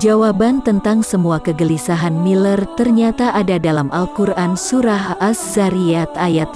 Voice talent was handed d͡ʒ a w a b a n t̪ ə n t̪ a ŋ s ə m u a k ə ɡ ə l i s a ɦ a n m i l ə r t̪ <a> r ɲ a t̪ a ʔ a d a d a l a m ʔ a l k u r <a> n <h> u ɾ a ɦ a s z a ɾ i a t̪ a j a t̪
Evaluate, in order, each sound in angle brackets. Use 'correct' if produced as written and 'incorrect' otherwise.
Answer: incorrect, correct, incorrect

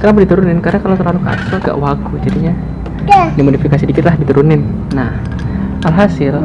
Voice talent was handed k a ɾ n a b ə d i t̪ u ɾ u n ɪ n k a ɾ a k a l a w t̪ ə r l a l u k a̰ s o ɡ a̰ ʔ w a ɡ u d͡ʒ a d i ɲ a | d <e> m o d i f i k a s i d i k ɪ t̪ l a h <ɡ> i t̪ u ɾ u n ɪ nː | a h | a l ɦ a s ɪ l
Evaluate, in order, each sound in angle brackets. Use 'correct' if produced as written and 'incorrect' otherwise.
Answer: incorrect, incorrect

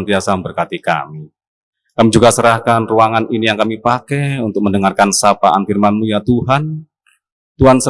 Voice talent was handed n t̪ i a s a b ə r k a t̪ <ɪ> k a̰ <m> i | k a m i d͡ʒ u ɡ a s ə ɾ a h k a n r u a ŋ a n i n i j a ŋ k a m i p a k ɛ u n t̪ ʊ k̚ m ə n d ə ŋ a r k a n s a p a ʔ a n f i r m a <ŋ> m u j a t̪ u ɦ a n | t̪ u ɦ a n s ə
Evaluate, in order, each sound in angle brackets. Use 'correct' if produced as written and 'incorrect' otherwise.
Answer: incorrect, correct, incorrect

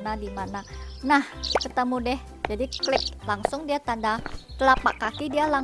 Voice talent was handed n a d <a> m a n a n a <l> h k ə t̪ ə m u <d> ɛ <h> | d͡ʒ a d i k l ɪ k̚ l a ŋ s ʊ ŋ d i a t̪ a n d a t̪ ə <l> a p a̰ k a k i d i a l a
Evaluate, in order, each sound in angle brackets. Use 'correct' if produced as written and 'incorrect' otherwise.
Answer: incorrect, incorrect, correct, correct, correct

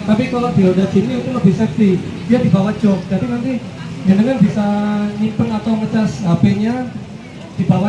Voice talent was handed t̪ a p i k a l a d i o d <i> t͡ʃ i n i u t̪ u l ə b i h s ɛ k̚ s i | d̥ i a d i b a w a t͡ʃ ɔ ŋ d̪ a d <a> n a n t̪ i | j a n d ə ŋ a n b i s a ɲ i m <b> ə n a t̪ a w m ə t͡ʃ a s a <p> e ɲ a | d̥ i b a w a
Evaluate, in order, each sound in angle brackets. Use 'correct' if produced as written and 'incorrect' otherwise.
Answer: incorrect, incorrect, incorrect, correct

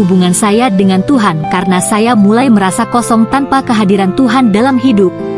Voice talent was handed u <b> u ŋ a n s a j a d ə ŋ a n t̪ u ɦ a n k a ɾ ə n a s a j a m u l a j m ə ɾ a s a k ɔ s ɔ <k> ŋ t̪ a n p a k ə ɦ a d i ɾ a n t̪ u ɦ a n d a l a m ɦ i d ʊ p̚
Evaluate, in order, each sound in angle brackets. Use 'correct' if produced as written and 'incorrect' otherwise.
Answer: correct, incorrect

